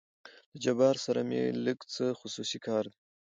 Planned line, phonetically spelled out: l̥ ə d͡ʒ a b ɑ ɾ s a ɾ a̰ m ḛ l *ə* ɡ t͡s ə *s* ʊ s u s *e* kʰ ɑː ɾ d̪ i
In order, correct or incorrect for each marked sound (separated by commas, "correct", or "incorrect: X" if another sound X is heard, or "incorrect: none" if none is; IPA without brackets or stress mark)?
correct, incorrect: x, incorrect: i